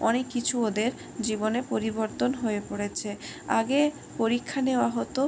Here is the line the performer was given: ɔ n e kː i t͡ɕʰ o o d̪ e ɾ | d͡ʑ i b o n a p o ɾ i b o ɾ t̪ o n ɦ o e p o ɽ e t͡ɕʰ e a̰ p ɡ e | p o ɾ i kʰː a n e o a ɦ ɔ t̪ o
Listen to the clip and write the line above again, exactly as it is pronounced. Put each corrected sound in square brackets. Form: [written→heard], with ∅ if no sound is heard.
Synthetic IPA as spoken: ɔ n e kː i t͡ɕʰ [o→u] o d̪ e ɾ | d͡ʑ i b o n [a→e] p o ɾ i b o ɾ t̪ o n ɦ o e p o ɽ e t͡ɕʰ e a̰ [p→∅] ɡ e | p o ɾ i kʰː a n e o a ɦ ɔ t̪ o